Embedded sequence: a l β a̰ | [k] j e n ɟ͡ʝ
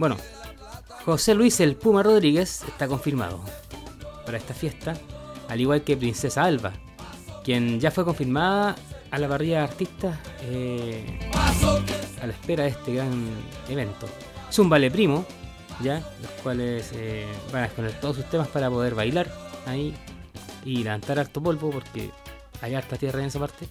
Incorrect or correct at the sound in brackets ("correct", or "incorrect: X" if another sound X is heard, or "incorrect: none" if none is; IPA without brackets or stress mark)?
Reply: correct